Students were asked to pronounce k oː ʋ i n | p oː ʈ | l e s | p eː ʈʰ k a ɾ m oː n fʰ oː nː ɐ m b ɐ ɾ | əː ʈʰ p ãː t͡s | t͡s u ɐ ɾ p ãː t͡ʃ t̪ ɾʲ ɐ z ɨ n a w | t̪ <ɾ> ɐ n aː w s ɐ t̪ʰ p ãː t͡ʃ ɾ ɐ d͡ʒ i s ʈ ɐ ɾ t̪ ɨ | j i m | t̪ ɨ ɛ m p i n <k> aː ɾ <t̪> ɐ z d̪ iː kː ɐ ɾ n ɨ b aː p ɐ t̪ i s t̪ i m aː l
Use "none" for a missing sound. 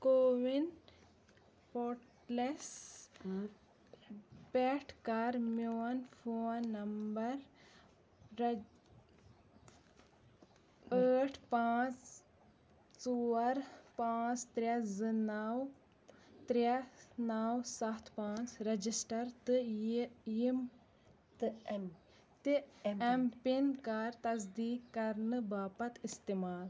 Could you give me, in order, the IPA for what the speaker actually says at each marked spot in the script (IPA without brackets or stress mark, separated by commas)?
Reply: ɾ, k, t̪